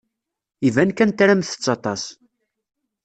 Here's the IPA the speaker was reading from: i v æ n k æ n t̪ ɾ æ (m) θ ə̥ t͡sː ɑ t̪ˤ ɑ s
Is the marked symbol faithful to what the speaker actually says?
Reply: yes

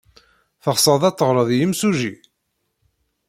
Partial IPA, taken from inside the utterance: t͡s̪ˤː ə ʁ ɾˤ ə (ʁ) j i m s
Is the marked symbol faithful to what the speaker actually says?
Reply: no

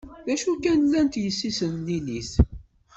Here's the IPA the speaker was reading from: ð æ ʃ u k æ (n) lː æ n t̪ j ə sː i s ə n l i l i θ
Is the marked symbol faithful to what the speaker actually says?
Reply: yes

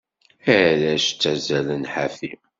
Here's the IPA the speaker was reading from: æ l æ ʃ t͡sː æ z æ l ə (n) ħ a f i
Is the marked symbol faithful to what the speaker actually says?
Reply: yes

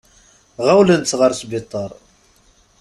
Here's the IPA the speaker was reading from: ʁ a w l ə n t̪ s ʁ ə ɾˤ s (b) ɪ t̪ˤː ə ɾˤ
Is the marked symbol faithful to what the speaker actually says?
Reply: yes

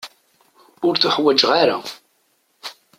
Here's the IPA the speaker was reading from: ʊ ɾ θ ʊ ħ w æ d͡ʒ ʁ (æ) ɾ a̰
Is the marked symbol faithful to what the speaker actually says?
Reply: no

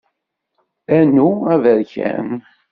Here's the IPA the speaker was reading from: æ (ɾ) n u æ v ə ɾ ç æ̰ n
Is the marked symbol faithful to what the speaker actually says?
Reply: no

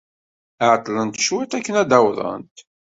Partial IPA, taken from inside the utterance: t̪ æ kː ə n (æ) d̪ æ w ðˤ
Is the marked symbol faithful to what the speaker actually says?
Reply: yes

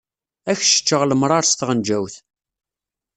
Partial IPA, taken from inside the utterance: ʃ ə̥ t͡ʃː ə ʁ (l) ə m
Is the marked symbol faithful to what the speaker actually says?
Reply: yes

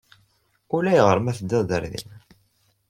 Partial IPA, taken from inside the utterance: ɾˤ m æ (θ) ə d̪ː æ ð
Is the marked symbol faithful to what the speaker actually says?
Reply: yes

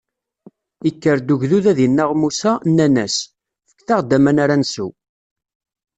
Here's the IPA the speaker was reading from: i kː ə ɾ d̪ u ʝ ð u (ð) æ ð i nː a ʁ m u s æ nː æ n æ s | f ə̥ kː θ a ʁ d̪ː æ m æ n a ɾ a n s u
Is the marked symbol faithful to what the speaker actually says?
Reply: yes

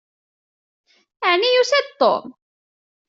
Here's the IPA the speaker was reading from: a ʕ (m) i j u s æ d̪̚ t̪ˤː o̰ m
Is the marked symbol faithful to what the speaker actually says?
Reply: no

